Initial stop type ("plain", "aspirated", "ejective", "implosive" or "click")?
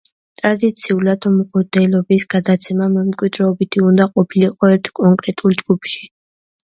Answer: ejective